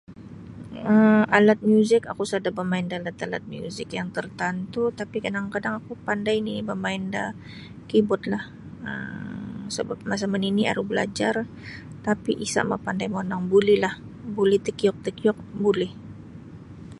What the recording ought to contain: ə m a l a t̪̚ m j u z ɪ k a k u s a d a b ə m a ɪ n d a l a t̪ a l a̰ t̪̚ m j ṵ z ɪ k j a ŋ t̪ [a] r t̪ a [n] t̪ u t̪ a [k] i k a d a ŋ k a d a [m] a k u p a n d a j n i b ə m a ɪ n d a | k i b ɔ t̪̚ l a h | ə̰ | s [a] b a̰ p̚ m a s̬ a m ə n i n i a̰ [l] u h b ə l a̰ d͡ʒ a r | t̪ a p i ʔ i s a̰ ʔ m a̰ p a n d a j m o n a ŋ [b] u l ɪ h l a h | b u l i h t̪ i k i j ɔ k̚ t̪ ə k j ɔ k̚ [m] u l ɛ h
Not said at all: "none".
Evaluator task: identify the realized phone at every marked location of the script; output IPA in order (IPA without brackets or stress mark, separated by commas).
ə, n, p, ŋ, ə, ɾ, b, b